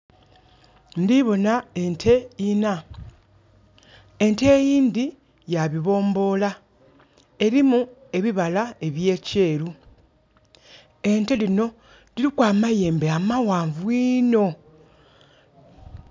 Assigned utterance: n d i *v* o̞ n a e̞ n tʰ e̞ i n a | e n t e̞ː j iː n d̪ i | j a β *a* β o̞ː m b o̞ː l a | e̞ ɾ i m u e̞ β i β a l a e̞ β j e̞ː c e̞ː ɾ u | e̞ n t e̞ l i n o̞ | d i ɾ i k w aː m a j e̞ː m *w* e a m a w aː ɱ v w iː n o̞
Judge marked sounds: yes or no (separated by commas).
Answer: no, no, no